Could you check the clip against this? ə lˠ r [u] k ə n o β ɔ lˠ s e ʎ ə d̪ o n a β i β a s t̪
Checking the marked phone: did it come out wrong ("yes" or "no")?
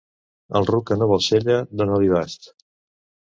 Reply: no